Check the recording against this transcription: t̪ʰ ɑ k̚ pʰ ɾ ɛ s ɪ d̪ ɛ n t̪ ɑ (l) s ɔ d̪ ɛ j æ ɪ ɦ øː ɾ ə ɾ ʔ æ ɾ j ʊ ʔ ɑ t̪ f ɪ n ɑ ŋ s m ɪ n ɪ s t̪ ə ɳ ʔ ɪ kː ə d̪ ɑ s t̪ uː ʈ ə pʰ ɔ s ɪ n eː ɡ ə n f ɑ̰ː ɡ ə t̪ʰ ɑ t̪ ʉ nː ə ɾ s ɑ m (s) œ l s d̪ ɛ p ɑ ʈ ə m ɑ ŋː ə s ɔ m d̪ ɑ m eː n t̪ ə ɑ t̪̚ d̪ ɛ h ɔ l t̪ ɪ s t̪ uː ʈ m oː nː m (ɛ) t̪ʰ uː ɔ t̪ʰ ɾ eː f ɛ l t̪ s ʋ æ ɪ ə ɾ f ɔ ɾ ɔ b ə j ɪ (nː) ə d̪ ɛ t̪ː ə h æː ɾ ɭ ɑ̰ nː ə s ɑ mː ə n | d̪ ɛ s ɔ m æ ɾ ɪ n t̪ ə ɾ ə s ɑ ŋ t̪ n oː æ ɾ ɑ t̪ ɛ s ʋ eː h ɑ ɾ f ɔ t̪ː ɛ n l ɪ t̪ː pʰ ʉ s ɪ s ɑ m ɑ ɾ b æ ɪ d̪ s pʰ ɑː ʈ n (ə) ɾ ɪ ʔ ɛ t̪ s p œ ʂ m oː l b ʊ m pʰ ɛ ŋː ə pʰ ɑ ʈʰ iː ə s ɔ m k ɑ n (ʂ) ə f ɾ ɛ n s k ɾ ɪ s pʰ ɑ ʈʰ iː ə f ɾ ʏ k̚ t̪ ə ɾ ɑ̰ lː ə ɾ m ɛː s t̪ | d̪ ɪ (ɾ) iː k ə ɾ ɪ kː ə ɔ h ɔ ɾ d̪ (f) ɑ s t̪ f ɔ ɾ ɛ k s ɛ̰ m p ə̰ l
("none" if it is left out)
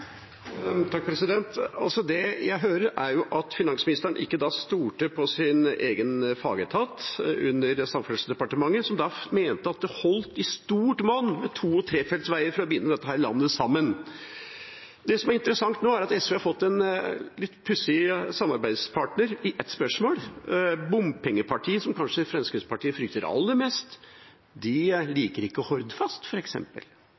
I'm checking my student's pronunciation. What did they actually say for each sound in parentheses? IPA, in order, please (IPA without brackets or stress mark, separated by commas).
l, f, ɛ, nː, ə, ʂ, l, f